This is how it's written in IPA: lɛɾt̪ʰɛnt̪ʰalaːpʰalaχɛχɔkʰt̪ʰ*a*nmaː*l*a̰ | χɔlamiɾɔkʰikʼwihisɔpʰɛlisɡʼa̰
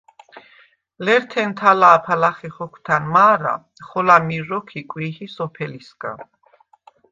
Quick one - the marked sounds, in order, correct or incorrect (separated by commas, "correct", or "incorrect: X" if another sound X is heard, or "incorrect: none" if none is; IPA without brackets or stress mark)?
correct, incorrect: ɾ